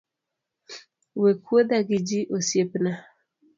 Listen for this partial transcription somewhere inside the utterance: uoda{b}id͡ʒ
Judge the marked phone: incorrect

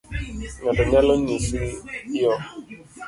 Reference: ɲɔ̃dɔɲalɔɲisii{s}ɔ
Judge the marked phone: incorrect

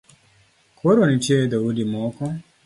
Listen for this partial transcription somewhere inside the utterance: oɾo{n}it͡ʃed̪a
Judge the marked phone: correct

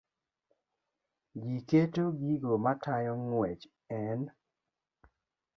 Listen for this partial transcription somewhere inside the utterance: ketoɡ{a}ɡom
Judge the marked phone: incorrect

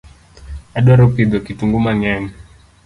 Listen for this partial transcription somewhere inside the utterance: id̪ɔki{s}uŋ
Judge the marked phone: incorrect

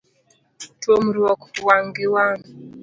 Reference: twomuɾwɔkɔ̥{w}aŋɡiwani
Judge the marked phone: correct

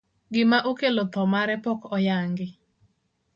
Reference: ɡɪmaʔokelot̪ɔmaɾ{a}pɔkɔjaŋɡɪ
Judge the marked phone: incorrect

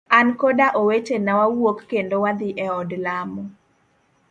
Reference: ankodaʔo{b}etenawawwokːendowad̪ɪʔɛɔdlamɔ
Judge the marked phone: incorrect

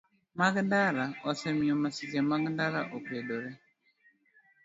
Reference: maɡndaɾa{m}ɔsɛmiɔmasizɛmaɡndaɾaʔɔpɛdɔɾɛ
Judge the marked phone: incorrect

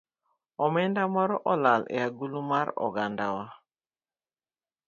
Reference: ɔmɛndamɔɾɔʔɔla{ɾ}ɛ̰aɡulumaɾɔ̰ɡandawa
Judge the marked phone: incorrect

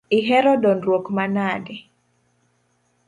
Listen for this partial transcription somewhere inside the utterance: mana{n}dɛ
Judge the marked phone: incorrect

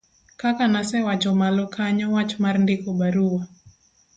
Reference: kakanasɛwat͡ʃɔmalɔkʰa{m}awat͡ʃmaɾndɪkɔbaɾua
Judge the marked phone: incorrect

